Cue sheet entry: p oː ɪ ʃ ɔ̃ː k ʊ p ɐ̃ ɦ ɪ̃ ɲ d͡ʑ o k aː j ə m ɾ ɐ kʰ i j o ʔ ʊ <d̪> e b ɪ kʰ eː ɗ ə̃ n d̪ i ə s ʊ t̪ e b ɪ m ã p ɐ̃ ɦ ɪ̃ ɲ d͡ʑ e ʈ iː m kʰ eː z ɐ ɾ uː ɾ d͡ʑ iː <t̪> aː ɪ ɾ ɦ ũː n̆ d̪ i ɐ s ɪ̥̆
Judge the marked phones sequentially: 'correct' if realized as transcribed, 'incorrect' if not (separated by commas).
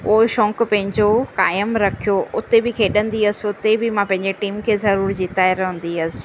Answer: incorrect, correct